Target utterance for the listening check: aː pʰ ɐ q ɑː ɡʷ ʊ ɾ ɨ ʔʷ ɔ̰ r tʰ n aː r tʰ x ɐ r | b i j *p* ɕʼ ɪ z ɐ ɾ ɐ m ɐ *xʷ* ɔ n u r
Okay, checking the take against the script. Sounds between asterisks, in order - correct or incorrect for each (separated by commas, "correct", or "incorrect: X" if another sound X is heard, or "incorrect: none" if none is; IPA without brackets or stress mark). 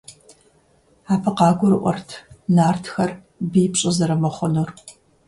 correct, incorrect: χʷ